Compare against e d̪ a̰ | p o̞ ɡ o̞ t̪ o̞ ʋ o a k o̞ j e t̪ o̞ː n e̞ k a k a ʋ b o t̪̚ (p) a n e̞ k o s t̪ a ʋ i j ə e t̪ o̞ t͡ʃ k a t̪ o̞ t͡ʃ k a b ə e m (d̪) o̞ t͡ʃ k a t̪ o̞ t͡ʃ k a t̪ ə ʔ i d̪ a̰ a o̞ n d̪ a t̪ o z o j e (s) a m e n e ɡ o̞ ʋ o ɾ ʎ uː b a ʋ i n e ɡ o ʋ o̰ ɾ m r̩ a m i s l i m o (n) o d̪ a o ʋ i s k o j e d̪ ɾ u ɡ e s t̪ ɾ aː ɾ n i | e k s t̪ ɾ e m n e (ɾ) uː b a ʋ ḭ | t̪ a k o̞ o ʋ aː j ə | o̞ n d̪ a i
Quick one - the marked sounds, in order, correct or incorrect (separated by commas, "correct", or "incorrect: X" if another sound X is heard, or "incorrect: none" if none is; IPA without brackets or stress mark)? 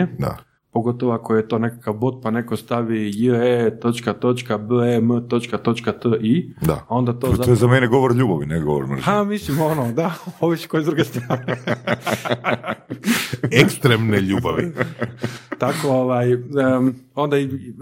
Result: correct, incorrect: t̪, incorrect: z, correct, incorrect: ʎ